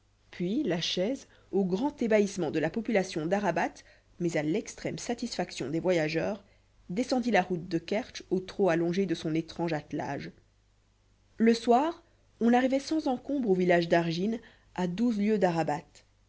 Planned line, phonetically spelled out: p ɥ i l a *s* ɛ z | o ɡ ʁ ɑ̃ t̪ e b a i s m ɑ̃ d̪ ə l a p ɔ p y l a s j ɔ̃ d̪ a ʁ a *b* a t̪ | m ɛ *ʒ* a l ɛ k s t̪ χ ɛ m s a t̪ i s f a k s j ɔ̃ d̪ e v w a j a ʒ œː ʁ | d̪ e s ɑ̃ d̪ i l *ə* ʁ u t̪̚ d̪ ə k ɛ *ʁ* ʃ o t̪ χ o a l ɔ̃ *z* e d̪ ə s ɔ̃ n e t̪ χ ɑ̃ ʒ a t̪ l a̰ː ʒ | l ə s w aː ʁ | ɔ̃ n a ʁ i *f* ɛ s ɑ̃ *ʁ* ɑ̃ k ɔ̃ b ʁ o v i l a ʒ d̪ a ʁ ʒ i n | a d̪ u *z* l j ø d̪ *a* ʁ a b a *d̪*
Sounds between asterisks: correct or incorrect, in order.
incorrect: ʃ, correct, incorrect: z, incorrect: a, correct, incorrect: ʒ, incorrect: v, incorrect: z, correct, correct, incorrect: t̪

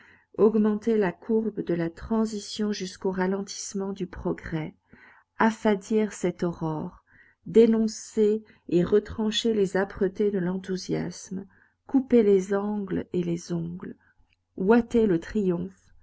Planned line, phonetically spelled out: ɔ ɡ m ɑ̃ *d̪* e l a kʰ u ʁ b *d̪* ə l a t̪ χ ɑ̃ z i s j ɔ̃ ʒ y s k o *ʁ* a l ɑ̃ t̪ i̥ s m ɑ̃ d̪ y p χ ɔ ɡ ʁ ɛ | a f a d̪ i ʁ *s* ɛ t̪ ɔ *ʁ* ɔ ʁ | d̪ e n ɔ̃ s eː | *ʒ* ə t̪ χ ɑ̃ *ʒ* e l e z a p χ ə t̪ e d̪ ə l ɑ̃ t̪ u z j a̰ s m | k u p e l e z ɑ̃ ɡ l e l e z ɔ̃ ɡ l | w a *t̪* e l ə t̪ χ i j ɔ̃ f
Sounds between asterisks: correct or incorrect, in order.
incorrect: t̪, correct, correct, correct, correct, incorrect: ʁ, incorrect: ʃ, correct

